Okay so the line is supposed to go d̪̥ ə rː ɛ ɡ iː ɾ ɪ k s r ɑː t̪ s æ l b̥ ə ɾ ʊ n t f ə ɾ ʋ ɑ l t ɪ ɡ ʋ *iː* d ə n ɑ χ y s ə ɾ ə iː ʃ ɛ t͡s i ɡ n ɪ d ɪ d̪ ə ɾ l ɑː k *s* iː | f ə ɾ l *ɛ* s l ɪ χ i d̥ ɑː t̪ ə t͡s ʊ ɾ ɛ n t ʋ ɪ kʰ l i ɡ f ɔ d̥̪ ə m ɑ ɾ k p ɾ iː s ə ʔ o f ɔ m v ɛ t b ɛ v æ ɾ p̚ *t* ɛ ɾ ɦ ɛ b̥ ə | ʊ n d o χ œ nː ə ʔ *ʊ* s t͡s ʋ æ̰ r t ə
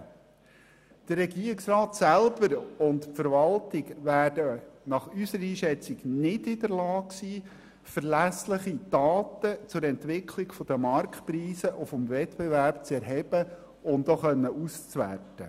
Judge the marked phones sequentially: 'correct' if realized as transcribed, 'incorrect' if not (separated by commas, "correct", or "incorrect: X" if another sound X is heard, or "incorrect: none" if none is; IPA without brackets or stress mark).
incorrect: æː, correct, incorrect: æ, incorrect: t͡s, incorrect: u